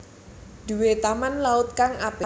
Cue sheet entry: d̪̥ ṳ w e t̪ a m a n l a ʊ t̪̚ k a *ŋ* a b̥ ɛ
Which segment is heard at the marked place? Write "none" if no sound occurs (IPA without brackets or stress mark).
ŋ